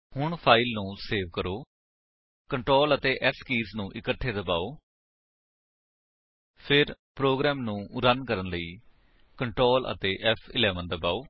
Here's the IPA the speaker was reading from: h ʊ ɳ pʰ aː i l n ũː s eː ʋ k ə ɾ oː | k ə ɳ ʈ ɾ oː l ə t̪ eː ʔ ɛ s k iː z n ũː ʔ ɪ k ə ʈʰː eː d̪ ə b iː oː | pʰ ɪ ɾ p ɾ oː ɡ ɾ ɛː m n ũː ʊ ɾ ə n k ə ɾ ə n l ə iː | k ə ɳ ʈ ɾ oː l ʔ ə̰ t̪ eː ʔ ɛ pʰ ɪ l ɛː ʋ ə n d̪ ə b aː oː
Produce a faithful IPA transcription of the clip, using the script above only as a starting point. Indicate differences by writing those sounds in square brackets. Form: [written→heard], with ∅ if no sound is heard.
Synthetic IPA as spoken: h ʊ ɳ pʰ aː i l n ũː s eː ʋ k ə ɾ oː | k ə ɳ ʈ ɾ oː l ə t̪ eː ʔ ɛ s k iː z n ũː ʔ ɪ k ə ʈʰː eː d̪ ə b [iː→aː] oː | pʰ ɪ ɾ p ɾ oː ɡ ɾ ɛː m n ũː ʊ ɾ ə n k ə ɾ ə n l ə iː | k ə ɳ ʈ ɾ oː l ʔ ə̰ t̪ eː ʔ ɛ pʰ ɪ l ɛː ʋ ə n d̪ ə b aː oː

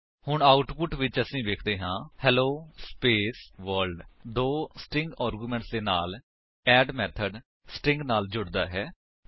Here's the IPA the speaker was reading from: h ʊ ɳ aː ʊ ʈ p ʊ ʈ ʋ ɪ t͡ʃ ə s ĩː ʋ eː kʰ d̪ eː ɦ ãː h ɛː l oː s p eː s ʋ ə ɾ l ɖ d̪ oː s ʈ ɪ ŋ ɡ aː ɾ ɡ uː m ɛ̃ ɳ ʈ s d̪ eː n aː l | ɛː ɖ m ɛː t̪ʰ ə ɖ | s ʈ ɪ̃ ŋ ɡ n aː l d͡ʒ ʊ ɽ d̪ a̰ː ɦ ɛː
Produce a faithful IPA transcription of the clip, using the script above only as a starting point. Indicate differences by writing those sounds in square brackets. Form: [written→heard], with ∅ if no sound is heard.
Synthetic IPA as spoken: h ʊ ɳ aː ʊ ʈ p ʊ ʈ ʋ ɪ t͡ʃ ə s ĩː ʋ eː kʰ d̪ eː ɦ ãː h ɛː l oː s p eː s ʋ ə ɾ l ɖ d̪ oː s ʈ ɪ ŋ ɡ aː ɾ ɡ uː m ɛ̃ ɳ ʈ s d̪ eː n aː l | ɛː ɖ m ɛː t̪ʰ ə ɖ | s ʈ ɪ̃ ŋ ɡ n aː l d͡ʒ ʊ ɽ d̪ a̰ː ɦ ɛː

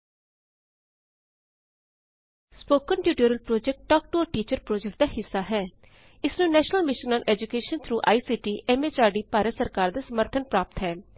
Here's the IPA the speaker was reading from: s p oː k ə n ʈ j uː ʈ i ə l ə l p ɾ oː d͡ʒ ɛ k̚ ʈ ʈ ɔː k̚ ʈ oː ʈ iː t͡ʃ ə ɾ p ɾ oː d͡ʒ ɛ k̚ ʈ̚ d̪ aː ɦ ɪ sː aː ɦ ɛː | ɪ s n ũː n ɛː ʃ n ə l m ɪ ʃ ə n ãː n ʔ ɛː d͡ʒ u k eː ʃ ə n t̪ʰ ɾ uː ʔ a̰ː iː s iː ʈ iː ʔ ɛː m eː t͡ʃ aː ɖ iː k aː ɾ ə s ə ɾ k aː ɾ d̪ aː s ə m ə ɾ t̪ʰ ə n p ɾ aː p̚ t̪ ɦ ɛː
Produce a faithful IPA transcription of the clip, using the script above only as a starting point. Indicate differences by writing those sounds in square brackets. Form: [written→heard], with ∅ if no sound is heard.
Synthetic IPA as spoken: s p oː k ə n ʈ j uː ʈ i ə [l→ɾ] ə l p ɾ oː d͡ʒ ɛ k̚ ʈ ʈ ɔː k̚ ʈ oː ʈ iː t͡ʃ ə ɾ p ɾ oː d͡ʒ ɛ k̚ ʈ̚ d̪ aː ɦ ɪ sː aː ɦ ɛː | ɪ s n ũː n ɛː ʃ n ə l m ɪ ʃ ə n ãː n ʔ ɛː d͡ʒ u k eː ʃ ə n t̪ʰ ɾ uː ʔ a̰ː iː s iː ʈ iː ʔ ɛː m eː t͡ʃ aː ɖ iː [k→p] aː ɾ ə s ə ɾ k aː ɾ d̪ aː s ə m ə ɾ t̪ʰ ə n p ɾ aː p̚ t̪ ɦ ɛː

